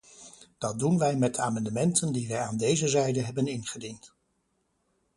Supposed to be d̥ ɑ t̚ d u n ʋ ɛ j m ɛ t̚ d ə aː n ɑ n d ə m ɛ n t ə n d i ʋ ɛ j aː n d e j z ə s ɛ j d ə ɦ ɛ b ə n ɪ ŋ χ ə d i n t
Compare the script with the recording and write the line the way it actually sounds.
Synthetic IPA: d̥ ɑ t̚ d u n ʋ ɛ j m ɛ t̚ d ə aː m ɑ n d ə m ɛ n t ə n d i ʋ ɛ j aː n d e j z ə z ɛ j d ə ɦ ɛ b ə n ɪ n χ ə d i n t